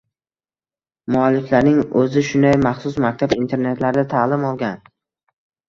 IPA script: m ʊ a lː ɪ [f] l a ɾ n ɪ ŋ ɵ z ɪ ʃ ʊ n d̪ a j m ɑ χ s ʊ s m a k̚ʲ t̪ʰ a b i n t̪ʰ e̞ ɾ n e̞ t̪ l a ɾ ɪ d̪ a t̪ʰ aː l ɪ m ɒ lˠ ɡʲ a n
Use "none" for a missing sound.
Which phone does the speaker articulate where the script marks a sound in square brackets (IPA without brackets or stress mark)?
f